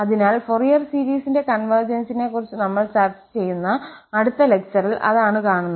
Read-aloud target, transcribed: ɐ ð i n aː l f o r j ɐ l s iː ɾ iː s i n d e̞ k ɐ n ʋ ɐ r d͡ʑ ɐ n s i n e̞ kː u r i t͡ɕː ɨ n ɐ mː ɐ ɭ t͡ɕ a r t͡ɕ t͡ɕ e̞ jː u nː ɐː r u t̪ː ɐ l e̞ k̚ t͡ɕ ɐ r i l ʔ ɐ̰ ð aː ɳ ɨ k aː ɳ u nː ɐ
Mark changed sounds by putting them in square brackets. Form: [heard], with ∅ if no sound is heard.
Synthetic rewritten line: ɐ ð i n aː l f o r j ɐ [r] s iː ɾ iː s i n d e̞ k ɐ n ʋ ɐ r d͡ʑ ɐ n s i n e̞ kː u r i t͡ɕː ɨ n ɐ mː ɐ ɭ t͡ɕ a r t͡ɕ t͡ɕ e̞ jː u nː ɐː [ɽ] u t̪ː ɐ l e̞ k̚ t͡ɕ ɐ r i l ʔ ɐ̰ ð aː ɳ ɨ k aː ɳ u nː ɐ